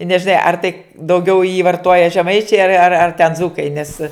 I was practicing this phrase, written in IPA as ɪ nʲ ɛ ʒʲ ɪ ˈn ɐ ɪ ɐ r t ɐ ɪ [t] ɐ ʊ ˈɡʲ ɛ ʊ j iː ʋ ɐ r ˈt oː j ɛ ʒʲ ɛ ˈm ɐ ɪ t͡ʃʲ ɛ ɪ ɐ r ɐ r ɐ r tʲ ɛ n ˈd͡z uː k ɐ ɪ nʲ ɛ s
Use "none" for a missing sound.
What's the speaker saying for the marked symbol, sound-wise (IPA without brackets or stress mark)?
d